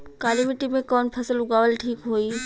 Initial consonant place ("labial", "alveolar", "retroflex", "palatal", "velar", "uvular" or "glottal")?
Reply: velar